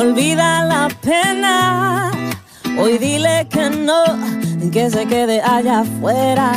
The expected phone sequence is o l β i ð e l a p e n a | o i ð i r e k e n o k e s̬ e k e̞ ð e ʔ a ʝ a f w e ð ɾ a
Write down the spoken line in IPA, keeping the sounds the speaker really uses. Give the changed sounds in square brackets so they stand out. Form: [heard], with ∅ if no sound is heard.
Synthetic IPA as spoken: o l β i ð [a] l a p e n a | o [j] ð i [l] e k e n o k e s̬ e k e̞ ð e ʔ a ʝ a f w e [∅] ɾ a